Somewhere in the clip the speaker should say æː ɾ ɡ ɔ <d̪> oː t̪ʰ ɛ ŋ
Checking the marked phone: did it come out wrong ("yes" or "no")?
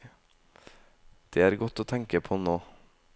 yes